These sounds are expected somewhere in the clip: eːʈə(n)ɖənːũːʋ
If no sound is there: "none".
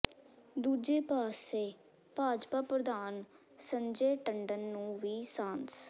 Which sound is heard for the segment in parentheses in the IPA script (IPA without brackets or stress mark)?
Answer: ɳ